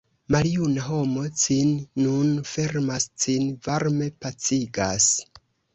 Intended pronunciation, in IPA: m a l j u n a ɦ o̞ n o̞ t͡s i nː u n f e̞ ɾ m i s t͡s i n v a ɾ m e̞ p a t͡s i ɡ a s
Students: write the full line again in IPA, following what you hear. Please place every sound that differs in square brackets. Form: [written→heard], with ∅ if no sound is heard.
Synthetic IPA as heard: m a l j u n a ɦ o̞ [n→m] o̞ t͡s i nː u n f e̞ ɾ m [i→a] s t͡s i n v a ɾ m e̞ p a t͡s i ɡ a s